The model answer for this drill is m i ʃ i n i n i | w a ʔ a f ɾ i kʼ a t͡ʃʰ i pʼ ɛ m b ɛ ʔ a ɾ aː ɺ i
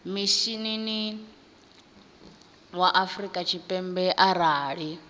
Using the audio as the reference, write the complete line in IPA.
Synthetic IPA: m i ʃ i n i n i | w a ʔ a f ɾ i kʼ a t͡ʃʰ i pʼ ɛ m b ɛ ʔ a ɾ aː ɺ i